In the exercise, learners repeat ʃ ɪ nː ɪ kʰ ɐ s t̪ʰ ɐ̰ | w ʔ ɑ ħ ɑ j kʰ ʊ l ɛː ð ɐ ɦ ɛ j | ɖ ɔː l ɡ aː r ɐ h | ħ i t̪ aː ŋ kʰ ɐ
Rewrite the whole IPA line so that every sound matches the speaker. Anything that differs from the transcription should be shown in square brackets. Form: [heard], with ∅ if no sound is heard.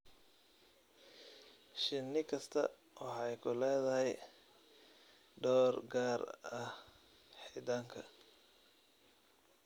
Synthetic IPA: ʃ ɪ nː ɪ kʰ ɐ s t̪ʰ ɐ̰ | w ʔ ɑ ħ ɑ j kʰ ʊ l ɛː ð ɐ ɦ ɛ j | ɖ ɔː [r] ɡ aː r ɐ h | ħ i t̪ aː ŋ kʰ ɐ

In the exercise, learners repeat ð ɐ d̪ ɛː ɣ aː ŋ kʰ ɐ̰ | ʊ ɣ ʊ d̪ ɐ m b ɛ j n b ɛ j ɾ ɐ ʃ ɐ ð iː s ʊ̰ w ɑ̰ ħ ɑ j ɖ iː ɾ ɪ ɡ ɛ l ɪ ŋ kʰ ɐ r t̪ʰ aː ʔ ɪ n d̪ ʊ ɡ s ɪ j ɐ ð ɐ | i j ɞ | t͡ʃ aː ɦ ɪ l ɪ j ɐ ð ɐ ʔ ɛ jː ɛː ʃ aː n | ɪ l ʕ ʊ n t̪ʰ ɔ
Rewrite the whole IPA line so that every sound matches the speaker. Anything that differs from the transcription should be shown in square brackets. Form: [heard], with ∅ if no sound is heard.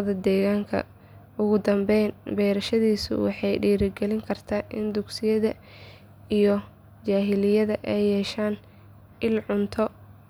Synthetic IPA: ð ɐ d̪ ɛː ɣ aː ŋ kʰ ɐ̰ | ʊ ɣ ʊ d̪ ɐ m b ɛ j n b ɛ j ɾ ɐ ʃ ɐ ð iː s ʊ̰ w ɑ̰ ħ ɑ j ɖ iː ɾ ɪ ɡ ɛ l ɪ ŋ kʰ ɐ r t̪ʰ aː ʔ ɪ n d̪ ʊ ɡ s ɪ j ɐ ð ɐ | i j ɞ | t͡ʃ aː ɦ ɪ l ɪ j ɐ ð ɐ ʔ ɛ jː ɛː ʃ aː n | ɪ l ʕ ʊ n t̪ʰ ɔ

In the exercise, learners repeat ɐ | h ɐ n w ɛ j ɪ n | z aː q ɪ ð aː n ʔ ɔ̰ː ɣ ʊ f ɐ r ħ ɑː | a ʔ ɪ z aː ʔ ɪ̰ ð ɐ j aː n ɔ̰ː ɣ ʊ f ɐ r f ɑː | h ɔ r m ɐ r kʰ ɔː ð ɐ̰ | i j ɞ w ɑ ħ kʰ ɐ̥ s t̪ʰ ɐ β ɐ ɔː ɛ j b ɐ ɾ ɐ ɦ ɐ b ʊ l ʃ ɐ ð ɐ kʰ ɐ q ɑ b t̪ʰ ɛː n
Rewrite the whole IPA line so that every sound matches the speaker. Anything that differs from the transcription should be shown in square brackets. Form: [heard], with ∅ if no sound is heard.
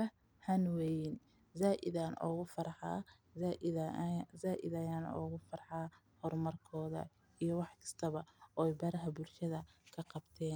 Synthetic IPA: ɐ | h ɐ n w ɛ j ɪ n | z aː [ʔ] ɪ ð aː n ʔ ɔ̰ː ɣ ʊ f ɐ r ħ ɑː | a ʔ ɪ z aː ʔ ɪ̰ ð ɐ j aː n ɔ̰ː ɣ ʊ f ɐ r [ħ] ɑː | h ɔ r m ɐ r kʰ ɔː ð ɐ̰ | i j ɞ w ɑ ħ kʰ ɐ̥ s t̪ʰ ɐ β ɐ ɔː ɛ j b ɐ ɾ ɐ ɦ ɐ b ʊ l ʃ ɐ ð ɐ kʰ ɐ q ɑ b t̪ʰ ɛː n

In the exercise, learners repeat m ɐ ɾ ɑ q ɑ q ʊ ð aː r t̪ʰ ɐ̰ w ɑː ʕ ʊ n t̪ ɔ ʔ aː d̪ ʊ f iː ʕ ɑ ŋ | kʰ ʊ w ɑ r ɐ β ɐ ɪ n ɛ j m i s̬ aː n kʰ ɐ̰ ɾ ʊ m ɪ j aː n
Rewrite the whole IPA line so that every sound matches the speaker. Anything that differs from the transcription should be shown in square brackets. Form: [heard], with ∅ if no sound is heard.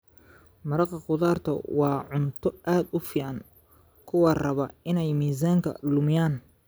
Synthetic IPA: m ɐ ɾ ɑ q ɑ q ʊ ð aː r t̪ʰ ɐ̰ w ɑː ʕ ʊ n [t̪ʰ] ɔ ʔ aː d̪ ʊ f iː ʕ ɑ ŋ | kʰ ʊ w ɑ r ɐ β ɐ ɪ n ɛ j m [iː] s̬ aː [ŋ] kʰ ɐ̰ [l] ʊ m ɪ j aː n

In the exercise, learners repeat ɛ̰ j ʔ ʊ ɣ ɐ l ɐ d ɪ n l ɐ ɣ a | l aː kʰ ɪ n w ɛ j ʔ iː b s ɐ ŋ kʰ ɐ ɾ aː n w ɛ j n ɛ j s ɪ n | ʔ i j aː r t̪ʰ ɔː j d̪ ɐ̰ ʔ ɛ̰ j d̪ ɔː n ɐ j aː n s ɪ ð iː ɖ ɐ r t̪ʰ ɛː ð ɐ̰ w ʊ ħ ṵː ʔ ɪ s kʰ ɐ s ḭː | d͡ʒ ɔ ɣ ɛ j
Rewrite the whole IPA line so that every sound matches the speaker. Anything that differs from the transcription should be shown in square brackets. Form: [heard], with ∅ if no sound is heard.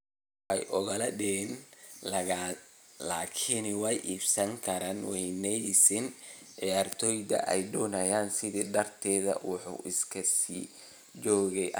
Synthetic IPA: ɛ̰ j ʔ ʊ ɣ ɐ l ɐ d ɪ n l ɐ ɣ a | l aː kʰ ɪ n w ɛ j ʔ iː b s ɐ ŋ kʰ ɐ ɾ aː n w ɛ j n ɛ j s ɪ n | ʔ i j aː r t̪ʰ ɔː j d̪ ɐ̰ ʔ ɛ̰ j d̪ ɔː n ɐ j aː n s ɪ ð iː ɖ ɐ r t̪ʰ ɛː ð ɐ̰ w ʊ ħ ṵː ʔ ɪ s kʰ ɐ s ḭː | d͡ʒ [ɔː] ɣ ɛ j

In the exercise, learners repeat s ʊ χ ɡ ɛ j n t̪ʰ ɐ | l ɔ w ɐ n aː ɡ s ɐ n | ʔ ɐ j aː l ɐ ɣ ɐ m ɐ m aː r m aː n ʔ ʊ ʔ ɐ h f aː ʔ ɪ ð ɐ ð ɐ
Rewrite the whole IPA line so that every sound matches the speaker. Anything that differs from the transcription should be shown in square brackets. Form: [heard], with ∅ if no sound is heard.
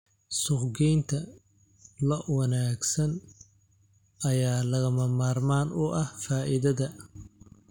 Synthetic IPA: s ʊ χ ɡ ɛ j n t̪ʰ ɐ | l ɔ w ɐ n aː ɡ s ɐ n | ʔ ɐ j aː l ɐ ɣ ɐ m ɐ m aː r m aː n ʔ ʊ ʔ ɐ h f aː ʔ ɪ ð ɐ ð ɐ

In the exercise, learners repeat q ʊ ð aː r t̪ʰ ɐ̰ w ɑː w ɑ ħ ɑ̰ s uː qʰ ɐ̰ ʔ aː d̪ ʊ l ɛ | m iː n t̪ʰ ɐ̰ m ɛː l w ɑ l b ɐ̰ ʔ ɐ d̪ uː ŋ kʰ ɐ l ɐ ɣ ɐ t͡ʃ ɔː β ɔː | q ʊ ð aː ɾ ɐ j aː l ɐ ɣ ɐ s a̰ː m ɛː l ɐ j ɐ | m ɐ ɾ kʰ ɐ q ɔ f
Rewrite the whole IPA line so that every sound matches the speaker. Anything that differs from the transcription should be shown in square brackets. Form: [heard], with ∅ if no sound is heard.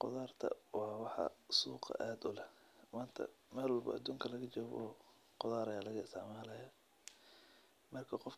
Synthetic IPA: q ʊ ð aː r t̪ʰ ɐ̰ w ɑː w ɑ ħ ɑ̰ s uː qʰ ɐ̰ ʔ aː d̪ ʊ l ɛ | m [aː] n t̪ʰ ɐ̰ m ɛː l w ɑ l b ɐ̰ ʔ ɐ d̪ uː ŋ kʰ ɐ l ɐ ɣ ɐ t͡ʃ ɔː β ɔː | q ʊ ð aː ɾ ɐ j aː l ɐ ɣ ɐ s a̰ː m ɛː l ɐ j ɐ | m ɐ [r] kʰ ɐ q ɔ f

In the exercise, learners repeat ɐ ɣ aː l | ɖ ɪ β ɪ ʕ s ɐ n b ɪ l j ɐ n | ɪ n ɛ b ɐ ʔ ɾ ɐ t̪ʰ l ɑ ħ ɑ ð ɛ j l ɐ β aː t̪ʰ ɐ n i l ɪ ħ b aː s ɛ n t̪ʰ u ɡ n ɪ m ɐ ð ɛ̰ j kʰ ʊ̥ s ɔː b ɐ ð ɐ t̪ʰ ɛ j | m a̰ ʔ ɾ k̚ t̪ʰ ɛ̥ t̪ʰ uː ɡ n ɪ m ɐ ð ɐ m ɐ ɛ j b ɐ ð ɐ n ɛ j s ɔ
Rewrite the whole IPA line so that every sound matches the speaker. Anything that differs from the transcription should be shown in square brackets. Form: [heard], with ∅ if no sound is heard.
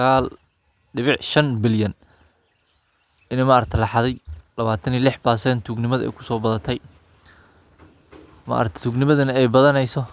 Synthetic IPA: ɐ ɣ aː l | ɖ ɪ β ɪ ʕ [ʃ] ɐ n b ɪ l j ɐ n | ɪ n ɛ [m] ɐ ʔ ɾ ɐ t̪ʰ l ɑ ħ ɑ ð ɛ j l ɐ β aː t̪ʰ ɐ n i l ɪ ħ b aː s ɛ n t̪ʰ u ɡ n ɪ m ɐ ð ɛ̰ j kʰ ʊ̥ s ɔː b ɐ ð ɐ t̪ʰ ɛ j | m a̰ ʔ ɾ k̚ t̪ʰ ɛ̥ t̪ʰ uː ɡ n ɪ m ɐ ð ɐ [n] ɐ ɛ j b ɐ ð ɐ n ɛ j s ɔ

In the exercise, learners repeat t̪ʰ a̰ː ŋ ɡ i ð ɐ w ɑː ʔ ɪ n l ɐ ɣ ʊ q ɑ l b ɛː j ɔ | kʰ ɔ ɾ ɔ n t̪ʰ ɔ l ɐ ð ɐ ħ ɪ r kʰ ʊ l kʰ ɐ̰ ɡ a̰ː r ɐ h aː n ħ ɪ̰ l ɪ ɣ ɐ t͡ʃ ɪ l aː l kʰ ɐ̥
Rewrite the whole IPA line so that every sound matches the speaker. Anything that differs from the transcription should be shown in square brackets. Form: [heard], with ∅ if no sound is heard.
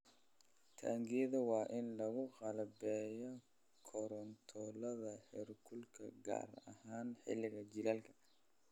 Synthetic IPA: t̪ʰ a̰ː ŋ ɡ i ð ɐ w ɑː ʔ ɪ n l ɐ ɣ ʊ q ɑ l b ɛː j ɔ | kʰ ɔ ɾ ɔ n t̪ʰ ɔ l ɐ ð ɐ ħ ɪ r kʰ ʊ l kʰ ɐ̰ ɡ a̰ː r ɐ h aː n ħ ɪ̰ l ɪ ɣ ɐ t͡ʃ ɪ l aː l kʰ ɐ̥

